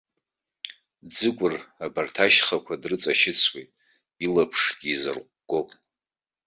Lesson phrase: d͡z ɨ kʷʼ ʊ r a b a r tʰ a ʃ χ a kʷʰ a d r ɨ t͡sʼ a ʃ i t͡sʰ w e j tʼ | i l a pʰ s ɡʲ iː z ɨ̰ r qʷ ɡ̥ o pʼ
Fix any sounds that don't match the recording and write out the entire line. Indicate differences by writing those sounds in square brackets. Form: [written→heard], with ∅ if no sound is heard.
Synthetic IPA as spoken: d͡z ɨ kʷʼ ʊ r a b a r tʰ a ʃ χ a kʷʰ a d r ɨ t͡sʼ a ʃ [i→ɪ] t͡sʰ w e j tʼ | i l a pʰ [s→ʂ] ɡʲ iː z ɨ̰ r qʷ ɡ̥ o pʼ